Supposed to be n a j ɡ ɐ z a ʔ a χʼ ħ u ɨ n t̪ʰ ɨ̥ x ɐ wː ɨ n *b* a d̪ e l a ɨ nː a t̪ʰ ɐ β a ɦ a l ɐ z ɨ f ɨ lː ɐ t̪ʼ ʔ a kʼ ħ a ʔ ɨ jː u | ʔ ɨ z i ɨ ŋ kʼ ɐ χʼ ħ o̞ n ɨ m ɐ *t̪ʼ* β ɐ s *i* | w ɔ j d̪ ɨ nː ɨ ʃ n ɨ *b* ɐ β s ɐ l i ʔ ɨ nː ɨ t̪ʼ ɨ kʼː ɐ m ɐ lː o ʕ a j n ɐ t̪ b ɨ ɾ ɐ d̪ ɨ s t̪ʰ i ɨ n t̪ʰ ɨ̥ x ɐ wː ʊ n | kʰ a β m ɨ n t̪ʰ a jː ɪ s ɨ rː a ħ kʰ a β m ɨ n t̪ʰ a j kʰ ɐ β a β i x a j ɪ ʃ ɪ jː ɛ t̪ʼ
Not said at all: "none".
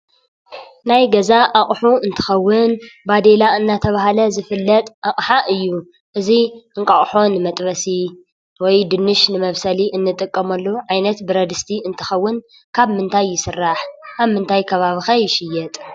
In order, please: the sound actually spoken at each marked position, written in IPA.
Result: b, t̪ʼ, i, m

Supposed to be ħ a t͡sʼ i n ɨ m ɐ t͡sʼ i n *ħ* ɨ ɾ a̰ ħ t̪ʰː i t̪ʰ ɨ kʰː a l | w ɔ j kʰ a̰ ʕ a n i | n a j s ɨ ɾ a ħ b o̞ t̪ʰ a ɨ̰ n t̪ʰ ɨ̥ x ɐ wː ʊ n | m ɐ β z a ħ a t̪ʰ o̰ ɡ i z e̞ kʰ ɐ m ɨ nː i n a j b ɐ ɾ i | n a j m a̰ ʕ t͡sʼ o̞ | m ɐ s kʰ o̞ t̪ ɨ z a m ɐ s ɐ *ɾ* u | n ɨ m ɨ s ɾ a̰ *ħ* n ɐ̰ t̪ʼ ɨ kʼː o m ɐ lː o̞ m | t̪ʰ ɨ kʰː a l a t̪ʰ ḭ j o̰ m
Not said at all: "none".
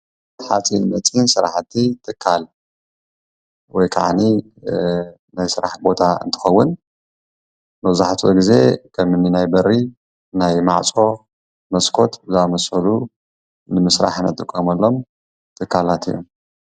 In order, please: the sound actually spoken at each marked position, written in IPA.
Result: s, l, ħ

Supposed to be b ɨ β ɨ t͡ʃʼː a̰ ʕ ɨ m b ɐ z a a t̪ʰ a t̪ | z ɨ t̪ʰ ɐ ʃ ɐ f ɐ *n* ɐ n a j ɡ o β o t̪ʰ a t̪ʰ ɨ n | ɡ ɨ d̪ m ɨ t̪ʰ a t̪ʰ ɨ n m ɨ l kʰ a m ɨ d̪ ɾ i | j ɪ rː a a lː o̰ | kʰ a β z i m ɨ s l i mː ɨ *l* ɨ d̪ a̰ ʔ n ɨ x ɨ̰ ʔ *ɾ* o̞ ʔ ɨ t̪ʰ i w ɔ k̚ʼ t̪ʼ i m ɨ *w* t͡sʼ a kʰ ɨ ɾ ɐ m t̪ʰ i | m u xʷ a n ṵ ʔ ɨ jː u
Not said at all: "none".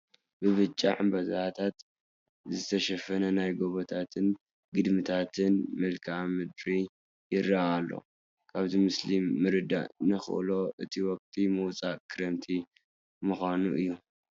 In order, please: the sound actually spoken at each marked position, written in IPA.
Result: n, ɾ, l, w

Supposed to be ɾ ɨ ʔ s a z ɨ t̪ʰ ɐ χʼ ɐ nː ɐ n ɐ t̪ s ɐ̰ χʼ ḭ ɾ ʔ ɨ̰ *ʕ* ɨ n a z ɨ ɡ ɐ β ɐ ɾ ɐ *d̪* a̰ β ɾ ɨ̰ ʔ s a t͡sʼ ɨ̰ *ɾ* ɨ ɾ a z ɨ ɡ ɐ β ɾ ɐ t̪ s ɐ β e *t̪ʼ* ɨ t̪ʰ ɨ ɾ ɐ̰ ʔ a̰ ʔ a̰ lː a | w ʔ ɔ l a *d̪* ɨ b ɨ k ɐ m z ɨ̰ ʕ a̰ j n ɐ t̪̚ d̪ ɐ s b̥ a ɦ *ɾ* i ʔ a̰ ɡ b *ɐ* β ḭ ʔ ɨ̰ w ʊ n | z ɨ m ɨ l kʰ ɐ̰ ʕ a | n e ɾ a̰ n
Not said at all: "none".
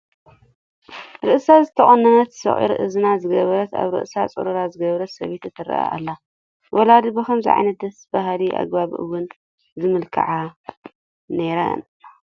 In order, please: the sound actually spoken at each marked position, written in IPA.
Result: z, t̪, ɾ, t̪, d̪, l, a

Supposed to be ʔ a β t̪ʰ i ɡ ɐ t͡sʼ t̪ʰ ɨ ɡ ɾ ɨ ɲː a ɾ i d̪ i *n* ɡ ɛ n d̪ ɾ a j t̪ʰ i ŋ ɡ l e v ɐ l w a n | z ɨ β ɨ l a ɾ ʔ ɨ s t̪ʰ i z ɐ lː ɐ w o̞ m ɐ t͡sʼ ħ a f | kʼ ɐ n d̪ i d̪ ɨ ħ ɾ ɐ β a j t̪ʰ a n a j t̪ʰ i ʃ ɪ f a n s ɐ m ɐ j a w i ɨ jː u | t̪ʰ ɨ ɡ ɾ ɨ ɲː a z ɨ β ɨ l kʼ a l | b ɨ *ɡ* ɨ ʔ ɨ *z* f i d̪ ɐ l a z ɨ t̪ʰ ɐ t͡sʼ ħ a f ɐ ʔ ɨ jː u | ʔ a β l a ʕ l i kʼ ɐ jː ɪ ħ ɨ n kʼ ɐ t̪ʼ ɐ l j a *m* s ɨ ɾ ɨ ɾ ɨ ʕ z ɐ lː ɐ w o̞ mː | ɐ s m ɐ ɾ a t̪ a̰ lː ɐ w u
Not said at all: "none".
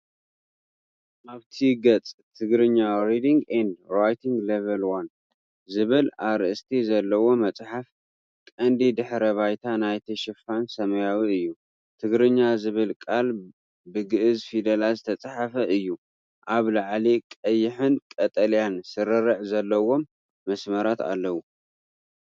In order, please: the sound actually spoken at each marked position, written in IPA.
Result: ŋ, ɡ, z, n

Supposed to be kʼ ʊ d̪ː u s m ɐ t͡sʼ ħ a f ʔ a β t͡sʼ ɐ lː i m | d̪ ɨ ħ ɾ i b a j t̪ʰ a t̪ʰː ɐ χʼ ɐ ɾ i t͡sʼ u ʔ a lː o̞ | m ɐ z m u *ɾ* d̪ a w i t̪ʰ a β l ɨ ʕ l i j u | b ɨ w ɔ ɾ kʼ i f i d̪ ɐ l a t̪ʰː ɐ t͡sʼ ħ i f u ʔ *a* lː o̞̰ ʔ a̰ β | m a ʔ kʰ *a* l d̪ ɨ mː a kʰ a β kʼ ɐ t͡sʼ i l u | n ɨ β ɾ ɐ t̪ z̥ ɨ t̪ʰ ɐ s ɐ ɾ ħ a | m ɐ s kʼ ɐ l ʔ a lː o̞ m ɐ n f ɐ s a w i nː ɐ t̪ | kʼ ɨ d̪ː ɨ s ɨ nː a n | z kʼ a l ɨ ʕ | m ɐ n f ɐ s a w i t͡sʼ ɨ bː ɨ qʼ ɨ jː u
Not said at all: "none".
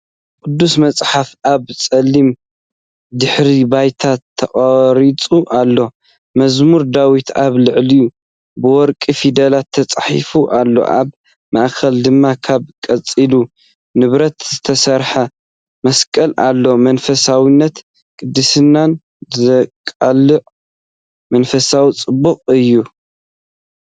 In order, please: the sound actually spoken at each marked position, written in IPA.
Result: ɾ, a, ɐ

